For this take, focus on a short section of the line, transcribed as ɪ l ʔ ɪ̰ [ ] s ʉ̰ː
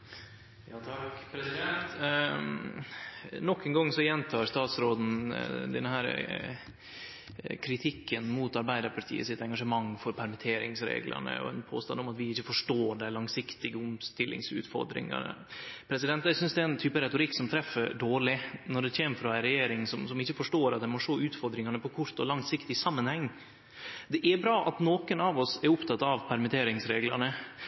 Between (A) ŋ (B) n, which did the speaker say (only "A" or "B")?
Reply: A